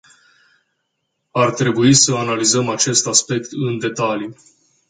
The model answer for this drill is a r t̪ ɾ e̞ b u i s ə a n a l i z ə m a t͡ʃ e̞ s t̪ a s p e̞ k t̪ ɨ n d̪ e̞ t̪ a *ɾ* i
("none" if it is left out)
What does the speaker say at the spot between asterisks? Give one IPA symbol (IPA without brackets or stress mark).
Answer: l